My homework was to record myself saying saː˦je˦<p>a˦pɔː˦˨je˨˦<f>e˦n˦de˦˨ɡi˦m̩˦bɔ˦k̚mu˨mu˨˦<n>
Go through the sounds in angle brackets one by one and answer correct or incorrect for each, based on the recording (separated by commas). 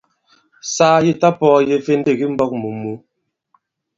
incorrect, correct, incorrect